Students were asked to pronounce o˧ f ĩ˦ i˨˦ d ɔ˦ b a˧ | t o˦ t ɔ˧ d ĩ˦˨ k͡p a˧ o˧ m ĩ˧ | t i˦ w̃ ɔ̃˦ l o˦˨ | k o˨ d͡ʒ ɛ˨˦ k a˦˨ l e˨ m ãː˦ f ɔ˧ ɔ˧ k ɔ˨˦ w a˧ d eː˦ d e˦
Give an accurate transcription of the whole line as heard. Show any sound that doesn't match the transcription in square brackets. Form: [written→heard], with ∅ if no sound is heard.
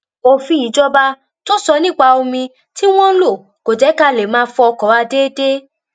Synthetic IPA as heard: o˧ f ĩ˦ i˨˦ [d→d͡ʒ] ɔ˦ b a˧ | t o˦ [t→s] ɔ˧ [d→n] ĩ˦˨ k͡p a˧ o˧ m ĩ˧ | t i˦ w̃ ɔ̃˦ l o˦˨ | k o˨ d͡ʒ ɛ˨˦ k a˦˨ l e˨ m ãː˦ f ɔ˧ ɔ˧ k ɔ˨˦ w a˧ d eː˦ d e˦